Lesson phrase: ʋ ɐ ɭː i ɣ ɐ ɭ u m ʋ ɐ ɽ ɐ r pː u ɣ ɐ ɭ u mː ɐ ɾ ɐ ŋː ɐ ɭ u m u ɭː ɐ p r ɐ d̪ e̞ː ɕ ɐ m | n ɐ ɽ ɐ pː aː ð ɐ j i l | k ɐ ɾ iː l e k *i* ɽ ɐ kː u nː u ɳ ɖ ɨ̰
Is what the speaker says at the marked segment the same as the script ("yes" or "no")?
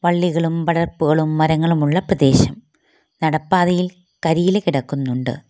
yes